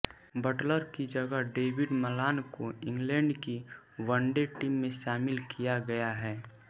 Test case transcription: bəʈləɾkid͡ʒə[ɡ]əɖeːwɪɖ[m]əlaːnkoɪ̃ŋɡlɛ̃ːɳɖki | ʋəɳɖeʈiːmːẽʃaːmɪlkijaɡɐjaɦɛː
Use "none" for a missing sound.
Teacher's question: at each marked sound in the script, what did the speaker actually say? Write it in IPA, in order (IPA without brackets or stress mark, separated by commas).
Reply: ɡ, m